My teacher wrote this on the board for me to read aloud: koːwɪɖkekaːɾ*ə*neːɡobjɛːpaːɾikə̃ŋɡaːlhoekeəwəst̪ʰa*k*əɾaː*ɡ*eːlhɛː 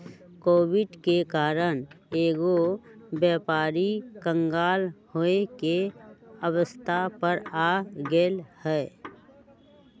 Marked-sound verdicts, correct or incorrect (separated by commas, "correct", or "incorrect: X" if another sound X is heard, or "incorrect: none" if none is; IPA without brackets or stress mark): correct, incorrect: p, correct